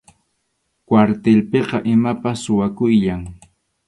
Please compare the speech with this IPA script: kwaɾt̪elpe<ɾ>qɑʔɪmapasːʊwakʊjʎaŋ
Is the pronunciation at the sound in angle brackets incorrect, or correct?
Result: incorrect